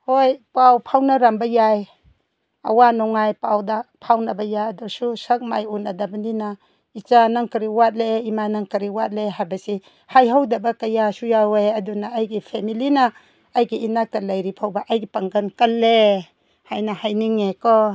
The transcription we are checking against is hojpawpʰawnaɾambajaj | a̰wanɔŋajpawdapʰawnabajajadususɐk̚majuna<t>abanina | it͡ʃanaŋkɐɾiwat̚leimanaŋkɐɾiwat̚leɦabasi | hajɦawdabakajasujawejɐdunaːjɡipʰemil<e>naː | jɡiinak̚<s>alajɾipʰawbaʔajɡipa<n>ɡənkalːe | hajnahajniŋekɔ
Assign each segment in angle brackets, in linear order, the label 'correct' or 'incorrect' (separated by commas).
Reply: incorrect, incorrect, incorrect, incorrect